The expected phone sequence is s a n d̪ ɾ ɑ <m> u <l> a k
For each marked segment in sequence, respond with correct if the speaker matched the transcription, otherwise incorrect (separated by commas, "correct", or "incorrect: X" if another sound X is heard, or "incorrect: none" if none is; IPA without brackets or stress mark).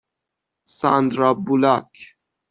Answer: incorrect: b, correct